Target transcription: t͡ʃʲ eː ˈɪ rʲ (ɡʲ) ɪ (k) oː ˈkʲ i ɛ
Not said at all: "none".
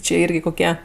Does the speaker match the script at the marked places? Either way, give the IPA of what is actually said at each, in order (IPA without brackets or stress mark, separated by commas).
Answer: ɡʲ, k